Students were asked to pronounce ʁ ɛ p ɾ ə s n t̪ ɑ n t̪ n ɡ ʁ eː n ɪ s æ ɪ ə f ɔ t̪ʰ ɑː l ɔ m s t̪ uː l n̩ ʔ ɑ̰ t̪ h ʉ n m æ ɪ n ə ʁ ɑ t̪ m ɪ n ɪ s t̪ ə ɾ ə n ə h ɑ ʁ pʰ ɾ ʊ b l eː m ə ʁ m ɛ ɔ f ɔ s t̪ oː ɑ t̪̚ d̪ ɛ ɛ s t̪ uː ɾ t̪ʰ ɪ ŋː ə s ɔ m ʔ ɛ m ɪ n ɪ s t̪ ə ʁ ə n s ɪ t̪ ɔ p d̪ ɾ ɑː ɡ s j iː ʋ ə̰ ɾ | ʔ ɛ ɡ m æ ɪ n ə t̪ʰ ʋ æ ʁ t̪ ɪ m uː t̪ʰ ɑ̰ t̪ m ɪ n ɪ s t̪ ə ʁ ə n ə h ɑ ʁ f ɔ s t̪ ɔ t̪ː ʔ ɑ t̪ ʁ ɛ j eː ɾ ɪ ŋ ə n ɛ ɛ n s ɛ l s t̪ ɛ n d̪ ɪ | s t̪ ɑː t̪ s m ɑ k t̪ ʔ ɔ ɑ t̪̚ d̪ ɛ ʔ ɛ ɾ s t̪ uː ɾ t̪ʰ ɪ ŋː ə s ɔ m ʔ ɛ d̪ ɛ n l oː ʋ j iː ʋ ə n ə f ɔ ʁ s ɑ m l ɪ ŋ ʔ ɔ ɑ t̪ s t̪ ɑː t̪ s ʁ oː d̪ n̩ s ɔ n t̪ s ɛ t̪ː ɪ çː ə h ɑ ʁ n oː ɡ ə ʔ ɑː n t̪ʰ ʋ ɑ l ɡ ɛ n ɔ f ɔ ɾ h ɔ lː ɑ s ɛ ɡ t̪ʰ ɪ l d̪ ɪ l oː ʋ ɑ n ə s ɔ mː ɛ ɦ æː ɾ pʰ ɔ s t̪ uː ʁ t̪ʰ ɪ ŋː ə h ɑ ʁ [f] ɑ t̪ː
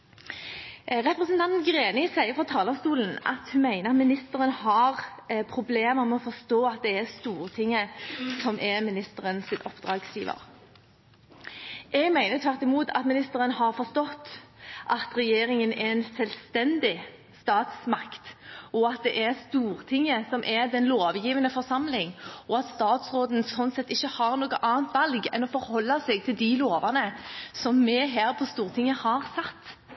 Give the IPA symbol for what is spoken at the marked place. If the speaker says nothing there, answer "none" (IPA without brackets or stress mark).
s